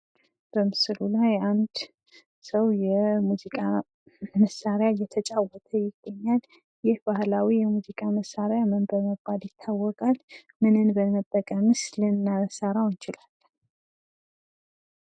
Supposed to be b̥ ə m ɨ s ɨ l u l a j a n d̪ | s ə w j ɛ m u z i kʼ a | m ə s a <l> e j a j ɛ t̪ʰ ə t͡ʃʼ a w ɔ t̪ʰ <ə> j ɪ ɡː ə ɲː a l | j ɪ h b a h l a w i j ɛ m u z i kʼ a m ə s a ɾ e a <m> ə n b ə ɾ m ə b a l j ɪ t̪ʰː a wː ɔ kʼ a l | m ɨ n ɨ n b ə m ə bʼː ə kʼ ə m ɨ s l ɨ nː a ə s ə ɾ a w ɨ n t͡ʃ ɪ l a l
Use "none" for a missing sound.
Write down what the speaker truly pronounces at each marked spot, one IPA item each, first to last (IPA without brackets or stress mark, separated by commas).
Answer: ɾ, ə, m